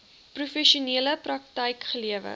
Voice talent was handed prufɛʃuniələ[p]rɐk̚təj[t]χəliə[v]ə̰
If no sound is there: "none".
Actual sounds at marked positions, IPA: p, k, v

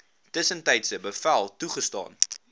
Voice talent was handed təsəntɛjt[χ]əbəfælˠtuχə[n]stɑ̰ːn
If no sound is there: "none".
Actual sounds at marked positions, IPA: s, none

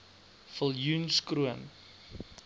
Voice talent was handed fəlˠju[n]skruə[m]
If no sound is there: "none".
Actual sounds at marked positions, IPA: n, n

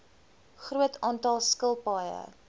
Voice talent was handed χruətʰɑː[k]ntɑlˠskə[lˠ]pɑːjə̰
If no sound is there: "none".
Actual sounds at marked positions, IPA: none, lˠ

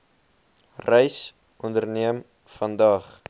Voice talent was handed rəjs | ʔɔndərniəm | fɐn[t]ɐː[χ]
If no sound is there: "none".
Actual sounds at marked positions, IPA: d, χ

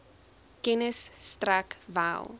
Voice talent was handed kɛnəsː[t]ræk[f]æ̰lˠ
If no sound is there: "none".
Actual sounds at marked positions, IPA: t, v

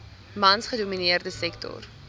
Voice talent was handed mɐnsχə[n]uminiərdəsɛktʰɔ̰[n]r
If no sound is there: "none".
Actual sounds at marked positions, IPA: d, none

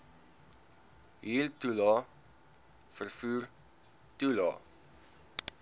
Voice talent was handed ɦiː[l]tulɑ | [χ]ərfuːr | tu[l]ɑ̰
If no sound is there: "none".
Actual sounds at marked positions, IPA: l, f, l

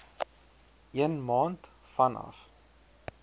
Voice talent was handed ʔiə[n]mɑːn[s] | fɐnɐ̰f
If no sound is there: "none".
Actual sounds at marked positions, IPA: n, t

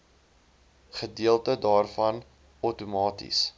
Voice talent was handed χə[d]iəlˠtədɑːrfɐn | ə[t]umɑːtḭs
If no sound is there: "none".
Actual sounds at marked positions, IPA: d, t

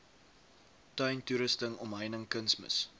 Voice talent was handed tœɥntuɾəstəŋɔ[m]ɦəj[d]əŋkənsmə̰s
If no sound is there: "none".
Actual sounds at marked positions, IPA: m, n

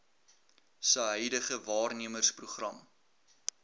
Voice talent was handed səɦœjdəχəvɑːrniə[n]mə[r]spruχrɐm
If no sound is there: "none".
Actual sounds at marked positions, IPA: none, r

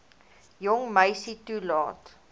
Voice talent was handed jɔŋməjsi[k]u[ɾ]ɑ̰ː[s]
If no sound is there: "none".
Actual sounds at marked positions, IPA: t, l, t

